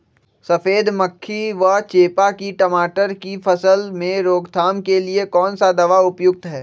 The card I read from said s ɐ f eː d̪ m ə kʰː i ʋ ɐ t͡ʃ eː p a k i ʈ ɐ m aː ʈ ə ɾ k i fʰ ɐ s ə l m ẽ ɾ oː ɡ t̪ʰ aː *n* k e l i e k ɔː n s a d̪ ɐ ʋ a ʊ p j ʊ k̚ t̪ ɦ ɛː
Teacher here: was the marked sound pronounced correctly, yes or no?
no